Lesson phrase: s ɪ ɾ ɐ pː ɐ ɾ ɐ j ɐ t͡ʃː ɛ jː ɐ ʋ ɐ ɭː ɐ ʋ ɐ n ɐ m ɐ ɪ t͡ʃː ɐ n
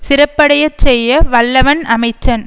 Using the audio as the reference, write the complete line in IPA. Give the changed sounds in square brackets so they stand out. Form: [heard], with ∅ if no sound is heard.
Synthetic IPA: s ɪ ɾ ɐ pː ɐ [ɽ] ɐ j ɐ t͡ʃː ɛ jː ɐ ʋ ɐ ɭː ɐ ʋ ɐ n ɐ m ɐ ɪ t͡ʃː ɐ n